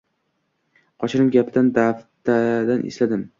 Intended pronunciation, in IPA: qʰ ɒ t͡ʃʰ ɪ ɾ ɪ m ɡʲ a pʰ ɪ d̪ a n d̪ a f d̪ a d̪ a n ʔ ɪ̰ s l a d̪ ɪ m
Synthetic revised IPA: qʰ ɒ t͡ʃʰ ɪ ɾ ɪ m ɡʲ a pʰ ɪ d̪ a n d̪ a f t̪ a d̪ a n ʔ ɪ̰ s l a d̪ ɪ m